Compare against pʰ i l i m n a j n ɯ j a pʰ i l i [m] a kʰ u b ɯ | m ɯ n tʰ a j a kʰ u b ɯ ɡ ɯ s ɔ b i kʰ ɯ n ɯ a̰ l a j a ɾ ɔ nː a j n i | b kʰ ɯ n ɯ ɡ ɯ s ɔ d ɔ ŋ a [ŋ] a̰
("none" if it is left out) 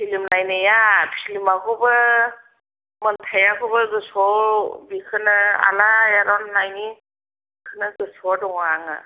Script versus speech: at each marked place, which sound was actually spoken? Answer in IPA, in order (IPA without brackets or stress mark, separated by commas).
m, ŋ